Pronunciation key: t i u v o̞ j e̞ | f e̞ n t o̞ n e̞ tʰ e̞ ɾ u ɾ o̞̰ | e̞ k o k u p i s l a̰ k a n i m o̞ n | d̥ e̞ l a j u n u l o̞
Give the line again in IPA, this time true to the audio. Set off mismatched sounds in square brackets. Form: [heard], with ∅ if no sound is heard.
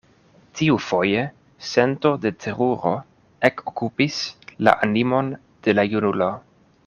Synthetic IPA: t i u [f] o̞ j e̞ | [s] e̞ n t o̞ [d] e̞ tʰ e̞ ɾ u ɾ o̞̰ | e̞ k o k u p i s l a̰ [ʔ] a n i m o̞ n | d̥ e̞ l a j u n u l o̞